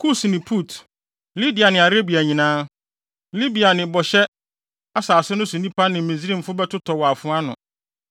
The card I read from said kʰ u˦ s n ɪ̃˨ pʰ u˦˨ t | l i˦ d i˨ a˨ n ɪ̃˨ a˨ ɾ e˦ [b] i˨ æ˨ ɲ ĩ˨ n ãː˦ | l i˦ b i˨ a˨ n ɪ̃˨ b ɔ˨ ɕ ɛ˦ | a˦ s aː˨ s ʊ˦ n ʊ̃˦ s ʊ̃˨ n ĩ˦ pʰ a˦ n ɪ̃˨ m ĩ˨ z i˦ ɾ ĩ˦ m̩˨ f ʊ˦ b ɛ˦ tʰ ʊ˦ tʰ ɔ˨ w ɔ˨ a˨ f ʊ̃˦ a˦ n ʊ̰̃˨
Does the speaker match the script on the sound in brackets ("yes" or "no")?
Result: yes